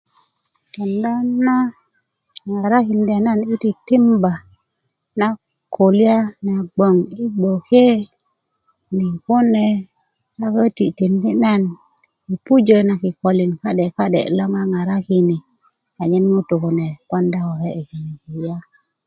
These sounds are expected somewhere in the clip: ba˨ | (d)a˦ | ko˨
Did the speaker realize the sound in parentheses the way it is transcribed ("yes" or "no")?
no